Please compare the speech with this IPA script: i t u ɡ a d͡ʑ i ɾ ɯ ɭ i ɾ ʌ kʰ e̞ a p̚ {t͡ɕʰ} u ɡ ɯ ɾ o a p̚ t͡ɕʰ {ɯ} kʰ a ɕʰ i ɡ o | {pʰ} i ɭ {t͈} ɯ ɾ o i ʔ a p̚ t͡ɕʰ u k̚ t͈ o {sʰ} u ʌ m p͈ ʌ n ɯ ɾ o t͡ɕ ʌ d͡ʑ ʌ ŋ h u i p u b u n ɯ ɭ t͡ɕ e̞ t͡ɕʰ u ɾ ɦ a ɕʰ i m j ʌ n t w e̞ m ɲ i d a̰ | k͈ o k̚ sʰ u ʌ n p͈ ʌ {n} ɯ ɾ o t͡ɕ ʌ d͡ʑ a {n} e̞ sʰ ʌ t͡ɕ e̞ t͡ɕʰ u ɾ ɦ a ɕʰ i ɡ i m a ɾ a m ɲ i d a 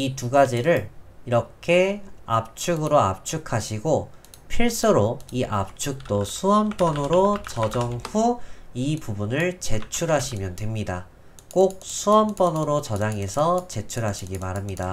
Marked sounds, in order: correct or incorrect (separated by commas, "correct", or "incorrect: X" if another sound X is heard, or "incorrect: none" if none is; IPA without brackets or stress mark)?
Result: correct, incorrect: u, correct, incorrect: s͈, correct, correct, incorrect: ŋ